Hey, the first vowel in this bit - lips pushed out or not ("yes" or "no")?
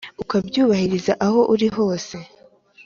yes